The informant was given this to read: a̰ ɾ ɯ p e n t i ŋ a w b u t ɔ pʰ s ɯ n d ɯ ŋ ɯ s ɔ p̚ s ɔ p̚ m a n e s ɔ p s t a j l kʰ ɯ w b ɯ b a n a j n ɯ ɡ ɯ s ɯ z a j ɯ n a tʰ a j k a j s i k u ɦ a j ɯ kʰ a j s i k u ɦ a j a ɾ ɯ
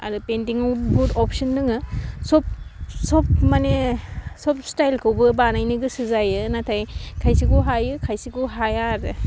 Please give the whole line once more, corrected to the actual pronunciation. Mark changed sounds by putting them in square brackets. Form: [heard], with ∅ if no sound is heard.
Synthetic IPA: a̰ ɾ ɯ p e n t i ŋ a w b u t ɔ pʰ s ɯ n d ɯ ŋ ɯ s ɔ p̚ s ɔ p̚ m a n e s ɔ p s t a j l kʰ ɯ w b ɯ b a n a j n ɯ ɡ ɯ s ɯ z a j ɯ n a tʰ a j [kʰ] a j s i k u ɦ a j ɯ kʰ a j s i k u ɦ a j a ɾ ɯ